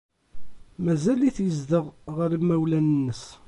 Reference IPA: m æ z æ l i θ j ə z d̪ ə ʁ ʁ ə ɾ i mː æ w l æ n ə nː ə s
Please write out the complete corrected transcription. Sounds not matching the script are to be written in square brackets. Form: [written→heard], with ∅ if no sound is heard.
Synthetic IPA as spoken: m æ z æ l i θ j ə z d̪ ə ʁ ʁ ə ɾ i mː æ w l æ n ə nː ə s